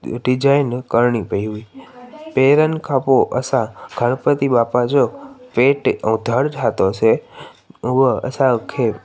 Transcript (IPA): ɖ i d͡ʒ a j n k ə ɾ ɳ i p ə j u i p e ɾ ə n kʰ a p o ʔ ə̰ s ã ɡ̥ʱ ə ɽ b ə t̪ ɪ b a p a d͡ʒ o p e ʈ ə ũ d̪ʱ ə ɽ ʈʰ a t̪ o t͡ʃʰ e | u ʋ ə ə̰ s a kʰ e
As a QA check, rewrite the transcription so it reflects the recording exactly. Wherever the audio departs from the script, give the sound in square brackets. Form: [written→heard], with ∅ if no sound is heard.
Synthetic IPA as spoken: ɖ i d͡ʒ a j n k ə ɾ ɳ i p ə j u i p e ɾ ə n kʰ a p o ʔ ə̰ s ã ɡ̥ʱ ə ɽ [b→p] ə t̪ [ɪ→i] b a p a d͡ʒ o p e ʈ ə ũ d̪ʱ ə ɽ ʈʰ a t̪ o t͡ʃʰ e | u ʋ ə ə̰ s a kʰ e